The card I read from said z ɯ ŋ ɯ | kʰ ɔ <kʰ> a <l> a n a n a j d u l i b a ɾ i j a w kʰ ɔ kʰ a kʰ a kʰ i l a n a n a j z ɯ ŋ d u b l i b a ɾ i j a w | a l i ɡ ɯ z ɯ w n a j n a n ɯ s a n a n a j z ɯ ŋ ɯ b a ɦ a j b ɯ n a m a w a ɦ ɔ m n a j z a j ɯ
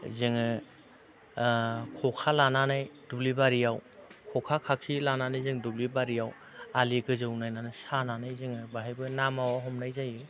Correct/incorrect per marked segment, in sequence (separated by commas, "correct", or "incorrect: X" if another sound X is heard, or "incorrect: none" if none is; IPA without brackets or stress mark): correct, correct